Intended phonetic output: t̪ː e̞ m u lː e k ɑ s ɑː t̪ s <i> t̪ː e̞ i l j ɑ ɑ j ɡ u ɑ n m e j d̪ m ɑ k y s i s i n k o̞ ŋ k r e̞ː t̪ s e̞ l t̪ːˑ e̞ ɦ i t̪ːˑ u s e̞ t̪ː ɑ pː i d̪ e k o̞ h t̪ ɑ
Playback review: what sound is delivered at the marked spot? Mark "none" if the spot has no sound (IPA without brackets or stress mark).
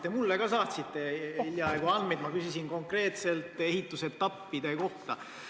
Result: i